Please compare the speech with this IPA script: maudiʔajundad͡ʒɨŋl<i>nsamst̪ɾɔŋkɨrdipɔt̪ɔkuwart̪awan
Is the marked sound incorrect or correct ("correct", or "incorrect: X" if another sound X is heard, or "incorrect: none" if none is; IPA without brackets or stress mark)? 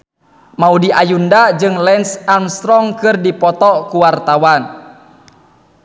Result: incorrect: ɛ